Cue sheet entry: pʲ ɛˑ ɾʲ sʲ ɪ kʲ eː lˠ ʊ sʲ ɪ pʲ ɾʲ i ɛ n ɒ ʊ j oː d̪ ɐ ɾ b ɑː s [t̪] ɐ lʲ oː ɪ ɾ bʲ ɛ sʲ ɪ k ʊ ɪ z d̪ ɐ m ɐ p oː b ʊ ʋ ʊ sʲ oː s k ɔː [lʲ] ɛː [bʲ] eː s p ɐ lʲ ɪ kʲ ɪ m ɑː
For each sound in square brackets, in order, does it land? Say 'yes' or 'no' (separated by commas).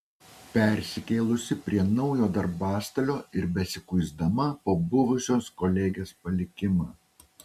yes, yes, no